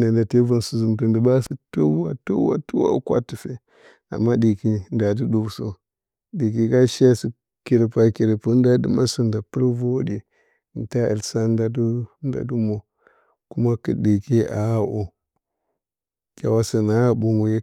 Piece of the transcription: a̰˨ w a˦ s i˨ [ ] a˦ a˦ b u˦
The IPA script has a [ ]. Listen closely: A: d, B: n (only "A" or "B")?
B